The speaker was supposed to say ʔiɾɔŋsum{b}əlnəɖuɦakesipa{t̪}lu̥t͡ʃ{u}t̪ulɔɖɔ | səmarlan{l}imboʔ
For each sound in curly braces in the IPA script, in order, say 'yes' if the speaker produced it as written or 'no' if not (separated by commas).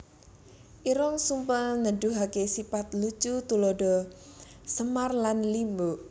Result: no, yes, yes, yes